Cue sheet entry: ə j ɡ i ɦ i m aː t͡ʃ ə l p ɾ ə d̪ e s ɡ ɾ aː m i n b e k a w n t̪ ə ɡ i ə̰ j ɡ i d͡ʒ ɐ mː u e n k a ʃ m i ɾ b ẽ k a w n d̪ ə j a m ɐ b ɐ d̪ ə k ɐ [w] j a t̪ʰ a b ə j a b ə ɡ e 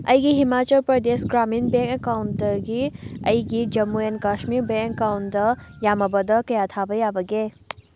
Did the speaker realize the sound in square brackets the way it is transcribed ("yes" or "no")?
no